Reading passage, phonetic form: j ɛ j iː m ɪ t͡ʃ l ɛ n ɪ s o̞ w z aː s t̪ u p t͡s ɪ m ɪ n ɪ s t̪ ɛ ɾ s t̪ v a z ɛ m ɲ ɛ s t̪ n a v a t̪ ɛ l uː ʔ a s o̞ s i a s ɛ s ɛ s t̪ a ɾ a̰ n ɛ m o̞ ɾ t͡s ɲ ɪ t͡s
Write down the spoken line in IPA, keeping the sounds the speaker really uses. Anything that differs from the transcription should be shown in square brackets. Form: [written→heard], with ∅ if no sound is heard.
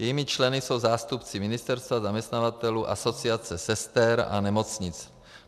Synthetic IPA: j ɛ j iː m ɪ t͡ʃ l ɛ n ɪ s o̞ w z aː s t̪ u p t͡s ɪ m ɪ n ɪ s t̪ ɛ ɾ s t̪ v a z [ɛ→a] m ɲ ɛ s t̪ n a v a t̪ ɛ l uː ʔ a s o̞ [s→t͡s] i a [s→t͡s] ɛ s ɛ s t̪ [a→ɛ] ɾ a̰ n ɛ m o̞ [ɾ→∅] t͡s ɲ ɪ t͡s